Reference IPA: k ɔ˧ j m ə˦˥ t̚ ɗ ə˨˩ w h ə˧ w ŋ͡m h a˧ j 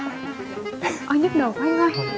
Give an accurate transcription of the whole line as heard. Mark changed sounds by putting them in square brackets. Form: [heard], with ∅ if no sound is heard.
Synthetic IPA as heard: [ʔ] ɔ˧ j [ɲ] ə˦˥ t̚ ɗ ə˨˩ w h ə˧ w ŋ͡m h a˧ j